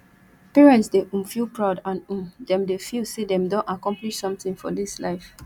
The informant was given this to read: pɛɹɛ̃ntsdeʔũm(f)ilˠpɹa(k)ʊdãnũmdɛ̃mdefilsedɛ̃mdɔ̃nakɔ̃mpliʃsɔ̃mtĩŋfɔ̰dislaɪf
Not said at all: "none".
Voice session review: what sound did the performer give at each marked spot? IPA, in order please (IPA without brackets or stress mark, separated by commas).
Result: f, none